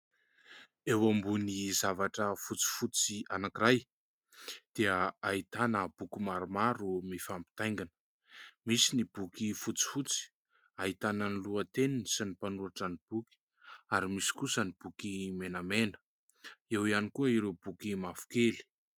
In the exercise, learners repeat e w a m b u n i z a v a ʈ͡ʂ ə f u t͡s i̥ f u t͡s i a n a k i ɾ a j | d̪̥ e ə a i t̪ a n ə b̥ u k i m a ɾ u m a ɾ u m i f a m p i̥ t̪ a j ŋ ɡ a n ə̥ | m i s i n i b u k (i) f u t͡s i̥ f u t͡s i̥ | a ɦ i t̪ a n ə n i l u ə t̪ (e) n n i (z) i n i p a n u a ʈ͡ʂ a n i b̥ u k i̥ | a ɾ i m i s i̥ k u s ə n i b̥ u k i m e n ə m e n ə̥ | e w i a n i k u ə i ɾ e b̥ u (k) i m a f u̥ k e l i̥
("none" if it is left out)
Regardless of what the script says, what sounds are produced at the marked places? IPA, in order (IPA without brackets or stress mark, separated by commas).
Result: i, e, s, k